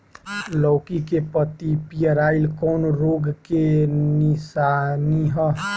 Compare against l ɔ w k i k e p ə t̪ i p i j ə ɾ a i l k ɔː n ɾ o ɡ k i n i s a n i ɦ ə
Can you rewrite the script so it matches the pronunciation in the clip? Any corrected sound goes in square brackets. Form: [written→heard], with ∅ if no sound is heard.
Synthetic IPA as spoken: l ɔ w k i k e p ə t̪ i p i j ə ɾ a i l k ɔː n ɾ o ɡ k [i→e] n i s a n i ɦ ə